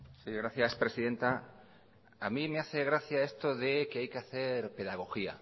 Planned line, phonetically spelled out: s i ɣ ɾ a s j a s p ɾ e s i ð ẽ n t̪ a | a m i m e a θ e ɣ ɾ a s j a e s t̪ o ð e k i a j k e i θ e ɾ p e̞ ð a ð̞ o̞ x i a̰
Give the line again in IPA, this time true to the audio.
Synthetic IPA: s i ɣ ɾ a θ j a s p ɾ e s i ð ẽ n t̪ a | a m i m e a θ e ɣ ɾ a θ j a e s t̪ o ð e k e a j k e a θ e ɾ p e̞ ð a ɣ̞ o̞ x i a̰